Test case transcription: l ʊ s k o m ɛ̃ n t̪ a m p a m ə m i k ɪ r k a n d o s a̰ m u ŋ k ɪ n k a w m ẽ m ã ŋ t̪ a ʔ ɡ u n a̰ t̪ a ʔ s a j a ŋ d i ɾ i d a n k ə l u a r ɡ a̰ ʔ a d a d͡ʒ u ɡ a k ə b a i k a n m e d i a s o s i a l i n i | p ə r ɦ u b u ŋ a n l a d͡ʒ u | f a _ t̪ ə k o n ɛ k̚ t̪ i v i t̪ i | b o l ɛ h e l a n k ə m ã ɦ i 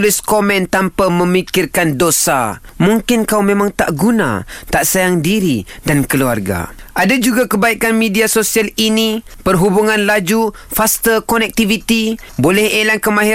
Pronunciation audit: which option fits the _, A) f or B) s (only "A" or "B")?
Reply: B